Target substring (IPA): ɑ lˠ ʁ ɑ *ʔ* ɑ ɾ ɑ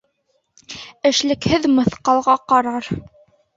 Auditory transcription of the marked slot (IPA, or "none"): q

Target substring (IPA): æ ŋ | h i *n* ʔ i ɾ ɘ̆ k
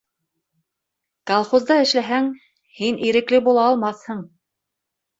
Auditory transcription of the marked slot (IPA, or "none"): n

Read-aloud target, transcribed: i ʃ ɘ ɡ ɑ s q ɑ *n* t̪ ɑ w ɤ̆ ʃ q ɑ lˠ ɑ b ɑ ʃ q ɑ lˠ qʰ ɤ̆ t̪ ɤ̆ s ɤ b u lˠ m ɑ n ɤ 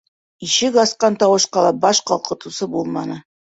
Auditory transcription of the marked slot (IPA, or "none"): n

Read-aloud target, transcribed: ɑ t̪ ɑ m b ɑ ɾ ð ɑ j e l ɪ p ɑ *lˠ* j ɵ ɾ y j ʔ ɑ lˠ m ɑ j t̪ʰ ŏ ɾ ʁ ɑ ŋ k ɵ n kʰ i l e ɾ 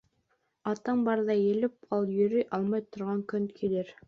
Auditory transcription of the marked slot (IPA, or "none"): lˠ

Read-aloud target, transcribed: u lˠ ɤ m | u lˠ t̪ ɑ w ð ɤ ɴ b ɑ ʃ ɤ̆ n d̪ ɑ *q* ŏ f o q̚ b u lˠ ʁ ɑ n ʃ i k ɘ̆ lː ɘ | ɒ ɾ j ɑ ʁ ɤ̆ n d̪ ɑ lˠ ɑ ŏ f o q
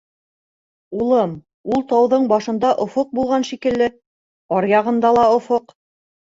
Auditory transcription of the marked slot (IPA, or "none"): ʔ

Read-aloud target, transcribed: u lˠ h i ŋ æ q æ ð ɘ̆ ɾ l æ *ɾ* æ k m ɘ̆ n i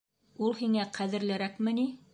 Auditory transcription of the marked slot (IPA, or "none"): ɾ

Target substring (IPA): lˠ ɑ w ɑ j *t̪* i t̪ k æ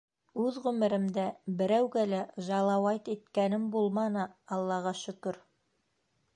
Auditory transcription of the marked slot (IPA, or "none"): t̪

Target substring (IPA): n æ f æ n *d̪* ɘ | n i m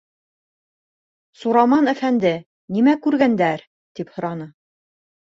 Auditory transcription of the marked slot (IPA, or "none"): d̪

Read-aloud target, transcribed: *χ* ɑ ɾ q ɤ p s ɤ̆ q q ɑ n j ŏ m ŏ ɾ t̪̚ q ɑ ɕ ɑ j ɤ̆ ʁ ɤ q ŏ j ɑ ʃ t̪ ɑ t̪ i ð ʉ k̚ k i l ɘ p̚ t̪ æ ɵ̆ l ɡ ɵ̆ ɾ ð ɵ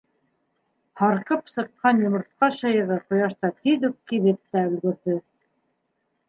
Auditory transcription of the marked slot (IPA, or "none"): h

